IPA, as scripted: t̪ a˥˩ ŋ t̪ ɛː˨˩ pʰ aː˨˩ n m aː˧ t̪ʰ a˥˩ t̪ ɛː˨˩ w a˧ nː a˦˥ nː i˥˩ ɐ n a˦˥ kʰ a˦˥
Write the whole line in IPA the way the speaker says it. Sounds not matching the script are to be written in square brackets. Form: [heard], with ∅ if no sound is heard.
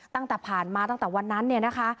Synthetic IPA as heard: t̪ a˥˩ ŋ t̪ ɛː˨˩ pʰ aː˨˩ n m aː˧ [t̪] a˥˩ t̪ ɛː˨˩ w a˧ nː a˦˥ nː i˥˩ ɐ n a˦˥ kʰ a˦˥